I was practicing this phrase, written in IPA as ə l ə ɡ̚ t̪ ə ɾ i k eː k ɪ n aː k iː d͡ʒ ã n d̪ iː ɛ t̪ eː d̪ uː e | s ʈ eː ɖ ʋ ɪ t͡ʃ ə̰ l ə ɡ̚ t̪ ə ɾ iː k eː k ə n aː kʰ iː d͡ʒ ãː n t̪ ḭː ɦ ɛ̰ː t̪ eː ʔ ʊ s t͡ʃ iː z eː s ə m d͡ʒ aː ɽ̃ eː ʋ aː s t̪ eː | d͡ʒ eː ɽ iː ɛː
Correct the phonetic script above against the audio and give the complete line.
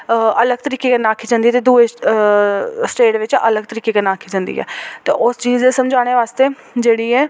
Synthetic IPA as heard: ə l ə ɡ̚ t̪ ə ɾ iː k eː k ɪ n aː kʰ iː d͡ʒ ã n d̪ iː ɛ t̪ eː d̪ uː e | s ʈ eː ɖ ʋ ɪ t͡ʃ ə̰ l ə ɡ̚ t̪ ə ɾ iː k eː k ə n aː kʰ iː d͡ʒ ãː n d̪ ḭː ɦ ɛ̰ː t̪ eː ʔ ʊ s t͡ʃ iː z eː s ə m d͡ʒ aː ɽ̃ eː ʋ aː s t̪ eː | d͡ʒ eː ɽ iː ɛː